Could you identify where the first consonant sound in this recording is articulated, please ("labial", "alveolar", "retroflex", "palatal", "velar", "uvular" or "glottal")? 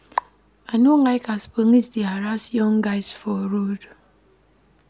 alveolar